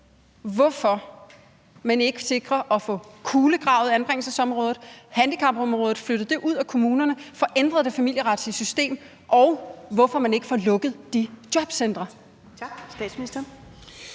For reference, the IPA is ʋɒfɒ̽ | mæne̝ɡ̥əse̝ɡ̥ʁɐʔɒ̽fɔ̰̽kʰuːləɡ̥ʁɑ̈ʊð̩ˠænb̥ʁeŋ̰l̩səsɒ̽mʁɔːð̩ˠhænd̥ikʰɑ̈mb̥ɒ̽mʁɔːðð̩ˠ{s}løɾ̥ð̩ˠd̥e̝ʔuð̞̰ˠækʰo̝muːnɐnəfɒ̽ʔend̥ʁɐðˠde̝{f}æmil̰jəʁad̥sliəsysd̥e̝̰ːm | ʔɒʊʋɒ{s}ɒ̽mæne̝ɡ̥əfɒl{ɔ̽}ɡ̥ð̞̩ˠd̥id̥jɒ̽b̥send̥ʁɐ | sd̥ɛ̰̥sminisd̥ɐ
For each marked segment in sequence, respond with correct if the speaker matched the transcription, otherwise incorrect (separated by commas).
incorrect, correct, incorrect, correct